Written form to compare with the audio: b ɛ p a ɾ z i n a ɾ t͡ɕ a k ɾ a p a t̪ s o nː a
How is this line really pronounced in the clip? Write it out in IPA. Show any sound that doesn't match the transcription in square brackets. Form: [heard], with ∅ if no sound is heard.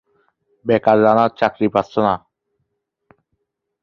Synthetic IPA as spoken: b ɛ [k] a ɾ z [a] n a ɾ t͡ɕ a k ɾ [i] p a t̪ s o [n] a